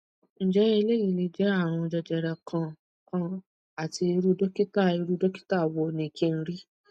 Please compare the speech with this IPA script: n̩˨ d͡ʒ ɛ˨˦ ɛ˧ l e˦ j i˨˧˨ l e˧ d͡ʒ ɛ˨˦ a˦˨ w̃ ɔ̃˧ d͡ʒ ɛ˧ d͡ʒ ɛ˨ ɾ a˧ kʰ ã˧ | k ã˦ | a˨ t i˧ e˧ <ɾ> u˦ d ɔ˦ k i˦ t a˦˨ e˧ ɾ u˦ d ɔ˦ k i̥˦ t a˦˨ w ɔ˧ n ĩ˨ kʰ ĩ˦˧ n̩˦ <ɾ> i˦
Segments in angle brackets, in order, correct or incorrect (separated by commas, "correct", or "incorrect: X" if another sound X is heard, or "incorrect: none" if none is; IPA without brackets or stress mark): correct, correct